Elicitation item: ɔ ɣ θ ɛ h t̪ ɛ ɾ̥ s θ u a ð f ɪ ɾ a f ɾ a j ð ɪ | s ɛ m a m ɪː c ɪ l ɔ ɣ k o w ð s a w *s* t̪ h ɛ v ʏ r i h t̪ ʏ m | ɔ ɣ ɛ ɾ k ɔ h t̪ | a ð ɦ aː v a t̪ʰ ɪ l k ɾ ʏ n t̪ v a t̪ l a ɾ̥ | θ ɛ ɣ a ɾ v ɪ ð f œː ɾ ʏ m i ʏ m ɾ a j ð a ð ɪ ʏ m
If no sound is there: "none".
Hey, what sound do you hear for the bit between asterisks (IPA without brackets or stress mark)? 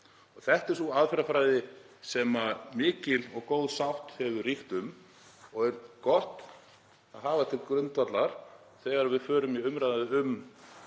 h